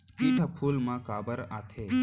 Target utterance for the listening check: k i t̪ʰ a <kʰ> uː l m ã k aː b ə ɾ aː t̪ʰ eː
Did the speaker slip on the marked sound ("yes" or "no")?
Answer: yes